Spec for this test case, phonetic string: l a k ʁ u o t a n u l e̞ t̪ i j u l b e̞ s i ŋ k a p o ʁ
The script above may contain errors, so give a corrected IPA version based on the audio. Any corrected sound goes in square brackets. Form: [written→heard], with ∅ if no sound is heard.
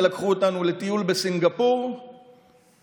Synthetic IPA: l a k [ʁ→χ] u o t a n u l e̞ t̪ i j u l b e̞ s i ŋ [k→ɡ] a p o ʁ

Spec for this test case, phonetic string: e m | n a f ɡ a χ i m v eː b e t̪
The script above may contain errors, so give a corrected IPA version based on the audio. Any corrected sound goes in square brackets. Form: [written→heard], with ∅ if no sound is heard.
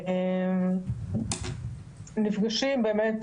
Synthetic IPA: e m | n [a→i] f ɡ a [χ→ʃ] i m [v→b] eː [b→m] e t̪

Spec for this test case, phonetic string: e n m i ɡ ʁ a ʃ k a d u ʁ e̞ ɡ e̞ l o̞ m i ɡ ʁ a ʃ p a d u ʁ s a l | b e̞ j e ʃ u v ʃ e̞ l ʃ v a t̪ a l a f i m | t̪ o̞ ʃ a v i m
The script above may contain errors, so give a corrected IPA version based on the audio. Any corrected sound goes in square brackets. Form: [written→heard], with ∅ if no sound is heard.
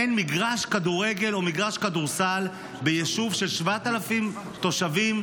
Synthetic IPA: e n m i ɡ ʁ a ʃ k a d u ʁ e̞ ɡ e̞ l o̞ m i ɡ ʁ a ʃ [p→k] a d u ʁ s a l | b e̞ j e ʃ u v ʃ e̞ l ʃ v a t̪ a l a f i m | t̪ o̞ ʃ a v i m

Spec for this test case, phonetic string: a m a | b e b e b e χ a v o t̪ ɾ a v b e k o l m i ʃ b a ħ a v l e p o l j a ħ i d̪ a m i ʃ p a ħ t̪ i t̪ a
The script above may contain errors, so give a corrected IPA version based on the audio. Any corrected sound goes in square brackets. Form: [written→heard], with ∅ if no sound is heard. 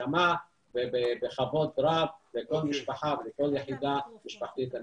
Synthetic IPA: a m a | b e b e b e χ a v o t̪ ɾ a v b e k o l m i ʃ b a ħ a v l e [p→k] o l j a ħ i d̪ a m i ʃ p a ħ t̪ i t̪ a

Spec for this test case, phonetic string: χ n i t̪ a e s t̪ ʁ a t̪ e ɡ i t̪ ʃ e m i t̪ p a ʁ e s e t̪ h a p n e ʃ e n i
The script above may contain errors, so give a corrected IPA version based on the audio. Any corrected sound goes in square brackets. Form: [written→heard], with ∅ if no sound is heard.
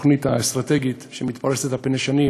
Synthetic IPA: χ n i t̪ a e s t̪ ʁ a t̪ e ɡ i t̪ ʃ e m i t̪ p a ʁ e s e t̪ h a p n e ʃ [e→a] n i

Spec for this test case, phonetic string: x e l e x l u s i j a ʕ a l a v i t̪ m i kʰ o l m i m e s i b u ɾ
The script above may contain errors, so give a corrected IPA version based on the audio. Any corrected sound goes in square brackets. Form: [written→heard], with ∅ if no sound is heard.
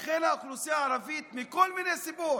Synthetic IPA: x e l [e→a] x l u s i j a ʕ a [l→ɾ] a v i t̪ m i [kʰ→k] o l m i [m→n] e s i b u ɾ

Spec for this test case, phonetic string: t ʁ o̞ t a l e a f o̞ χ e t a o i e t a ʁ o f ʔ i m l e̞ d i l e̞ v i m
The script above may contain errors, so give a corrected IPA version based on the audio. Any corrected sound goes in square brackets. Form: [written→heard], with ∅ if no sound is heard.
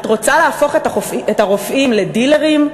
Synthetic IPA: t ʁ o̞ [t→t͡s] a l e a f o̞ χ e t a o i e t a ʁ o f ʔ i m l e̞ d i l e̞ [v→ʁ] i m

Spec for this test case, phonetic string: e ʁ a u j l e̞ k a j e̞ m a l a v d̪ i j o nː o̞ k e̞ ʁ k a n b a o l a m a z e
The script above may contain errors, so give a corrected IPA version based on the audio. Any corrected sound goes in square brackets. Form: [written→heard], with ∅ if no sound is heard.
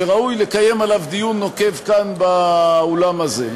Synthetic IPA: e ʁ a u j l e̞ k a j e̞ m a l a v d̪ i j [o→u] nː o̞ k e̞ [ʁ→v] k a n b a o l a m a z e

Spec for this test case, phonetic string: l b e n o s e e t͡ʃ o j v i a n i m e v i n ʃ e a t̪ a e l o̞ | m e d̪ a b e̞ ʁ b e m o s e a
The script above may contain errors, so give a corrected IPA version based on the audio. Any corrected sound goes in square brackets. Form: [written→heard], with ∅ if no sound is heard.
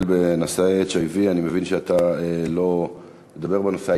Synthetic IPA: l b e n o s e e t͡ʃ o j v i a n i m e v i n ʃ e a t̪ a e l o̞ | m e d̪ a b e̞ ʁ b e [m→n] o s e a

